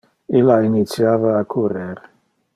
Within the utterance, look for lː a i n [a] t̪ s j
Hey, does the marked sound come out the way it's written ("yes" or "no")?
no